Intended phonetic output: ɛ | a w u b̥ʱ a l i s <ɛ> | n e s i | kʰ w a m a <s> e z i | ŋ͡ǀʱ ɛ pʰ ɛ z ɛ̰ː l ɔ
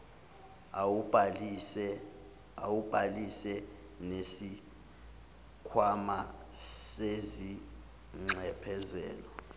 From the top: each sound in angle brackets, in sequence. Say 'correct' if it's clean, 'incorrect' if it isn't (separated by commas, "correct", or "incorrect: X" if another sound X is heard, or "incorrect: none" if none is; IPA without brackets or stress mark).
correct, correct